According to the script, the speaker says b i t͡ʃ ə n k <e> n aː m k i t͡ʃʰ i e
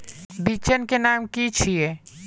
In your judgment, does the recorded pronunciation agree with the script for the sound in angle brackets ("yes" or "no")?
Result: yes